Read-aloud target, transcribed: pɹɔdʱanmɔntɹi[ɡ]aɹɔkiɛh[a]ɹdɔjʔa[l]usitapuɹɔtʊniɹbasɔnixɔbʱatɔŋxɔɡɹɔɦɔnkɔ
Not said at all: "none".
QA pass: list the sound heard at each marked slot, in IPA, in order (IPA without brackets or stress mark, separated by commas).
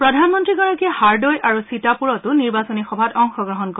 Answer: ɡ, a, ɹ